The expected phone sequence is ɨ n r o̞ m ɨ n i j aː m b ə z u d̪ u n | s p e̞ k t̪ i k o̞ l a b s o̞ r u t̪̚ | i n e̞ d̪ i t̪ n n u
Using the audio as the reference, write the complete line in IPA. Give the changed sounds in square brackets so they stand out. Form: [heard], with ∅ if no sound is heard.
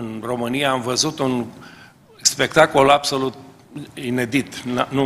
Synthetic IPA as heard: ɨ n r o̞ m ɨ n i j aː m [v] ə z u [t̪] u n | s p e̞ k t̪ [a] k o̞ l a b s o̞ [l] u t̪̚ | i n e̞ d̪ i t̪ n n u